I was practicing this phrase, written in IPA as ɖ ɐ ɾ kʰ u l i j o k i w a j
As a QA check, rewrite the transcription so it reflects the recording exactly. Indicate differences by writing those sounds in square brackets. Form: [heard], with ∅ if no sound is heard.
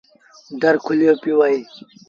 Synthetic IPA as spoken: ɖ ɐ ɾ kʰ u l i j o [p] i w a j